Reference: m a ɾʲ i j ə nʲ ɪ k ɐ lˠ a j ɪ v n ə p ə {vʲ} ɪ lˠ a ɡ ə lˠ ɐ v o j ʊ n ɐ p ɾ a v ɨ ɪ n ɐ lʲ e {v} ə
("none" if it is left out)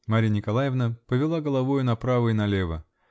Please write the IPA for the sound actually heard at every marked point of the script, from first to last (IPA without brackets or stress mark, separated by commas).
vʲ, v